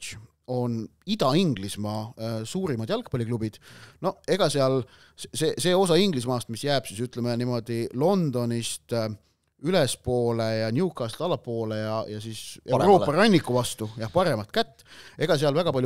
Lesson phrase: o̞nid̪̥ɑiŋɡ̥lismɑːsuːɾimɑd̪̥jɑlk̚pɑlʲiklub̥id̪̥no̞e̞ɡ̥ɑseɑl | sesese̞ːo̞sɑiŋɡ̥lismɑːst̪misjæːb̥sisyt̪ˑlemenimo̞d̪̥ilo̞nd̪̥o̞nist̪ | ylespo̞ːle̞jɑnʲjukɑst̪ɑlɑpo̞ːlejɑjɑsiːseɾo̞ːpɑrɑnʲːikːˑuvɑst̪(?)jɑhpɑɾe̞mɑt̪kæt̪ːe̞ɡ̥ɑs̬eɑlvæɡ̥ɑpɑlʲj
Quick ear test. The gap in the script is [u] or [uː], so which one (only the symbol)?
u